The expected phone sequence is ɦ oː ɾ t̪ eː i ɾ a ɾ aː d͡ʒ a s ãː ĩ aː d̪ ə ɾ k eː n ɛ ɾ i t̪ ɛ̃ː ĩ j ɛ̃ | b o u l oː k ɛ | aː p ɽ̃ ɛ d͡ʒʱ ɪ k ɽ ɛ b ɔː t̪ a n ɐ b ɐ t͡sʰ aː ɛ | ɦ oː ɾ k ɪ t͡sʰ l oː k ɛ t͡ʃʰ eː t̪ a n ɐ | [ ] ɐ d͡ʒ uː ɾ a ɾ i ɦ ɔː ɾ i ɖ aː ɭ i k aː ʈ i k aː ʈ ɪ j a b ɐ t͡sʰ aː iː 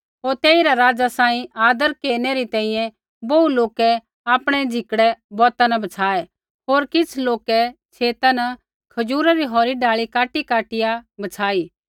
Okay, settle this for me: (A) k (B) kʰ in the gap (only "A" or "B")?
B